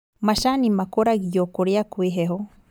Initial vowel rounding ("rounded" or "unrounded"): unrounded